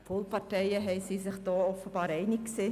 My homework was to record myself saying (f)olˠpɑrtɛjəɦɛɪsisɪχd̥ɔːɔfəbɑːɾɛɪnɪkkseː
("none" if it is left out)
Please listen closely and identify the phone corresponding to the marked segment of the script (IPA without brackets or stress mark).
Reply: f